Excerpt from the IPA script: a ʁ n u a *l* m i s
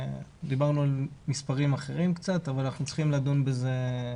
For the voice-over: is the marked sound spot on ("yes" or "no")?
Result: yes